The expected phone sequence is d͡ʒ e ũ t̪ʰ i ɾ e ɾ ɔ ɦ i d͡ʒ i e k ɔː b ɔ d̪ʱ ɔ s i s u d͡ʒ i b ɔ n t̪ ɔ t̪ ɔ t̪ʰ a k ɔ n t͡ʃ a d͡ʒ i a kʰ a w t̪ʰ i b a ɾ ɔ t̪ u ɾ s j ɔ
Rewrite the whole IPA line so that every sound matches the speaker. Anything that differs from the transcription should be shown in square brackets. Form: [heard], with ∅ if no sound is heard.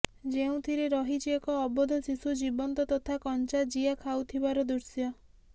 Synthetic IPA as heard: d͡ʒ e ũ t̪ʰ i ɾ e ɾ ɔ ɦ i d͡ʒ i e k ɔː b ɔ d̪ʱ ɔ s i s u d͡ʒ i b ɔ n t̪ ɔ t̪ ɔ t̪ʰ a k ɔ n t͡ʃ a d͡ʒ i a kʰ a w t̪ʰ i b a ɾ ɔ [d̪] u ɾ s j ɔ